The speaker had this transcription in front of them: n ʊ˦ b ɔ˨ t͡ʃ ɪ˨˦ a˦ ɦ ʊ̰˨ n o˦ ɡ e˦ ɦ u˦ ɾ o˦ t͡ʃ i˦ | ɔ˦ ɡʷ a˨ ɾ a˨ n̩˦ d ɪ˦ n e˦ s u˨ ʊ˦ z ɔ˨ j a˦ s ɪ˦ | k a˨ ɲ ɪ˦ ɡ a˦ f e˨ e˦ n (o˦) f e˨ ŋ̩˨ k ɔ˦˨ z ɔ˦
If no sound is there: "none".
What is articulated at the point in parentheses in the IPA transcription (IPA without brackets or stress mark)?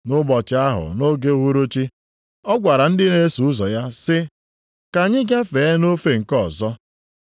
o˦